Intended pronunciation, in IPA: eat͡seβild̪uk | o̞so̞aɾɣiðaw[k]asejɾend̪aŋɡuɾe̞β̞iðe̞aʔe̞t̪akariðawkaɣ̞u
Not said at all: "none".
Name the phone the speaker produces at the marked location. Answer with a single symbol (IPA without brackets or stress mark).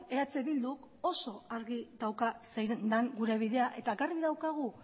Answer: k